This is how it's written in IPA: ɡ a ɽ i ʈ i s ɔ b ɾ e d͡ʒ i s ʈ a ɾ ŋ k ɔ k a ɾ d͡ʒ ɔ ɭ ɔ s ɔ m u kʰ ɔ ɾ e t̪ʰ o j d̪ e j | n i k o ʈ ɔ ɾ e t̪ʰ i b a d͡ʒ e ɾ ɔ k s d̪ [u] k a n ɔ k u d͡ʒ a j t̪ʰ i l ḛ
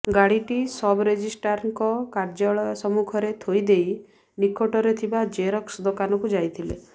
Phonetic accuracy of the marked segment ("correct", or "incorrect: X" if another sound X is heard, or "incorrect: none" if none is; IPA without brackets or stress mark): incorrect: o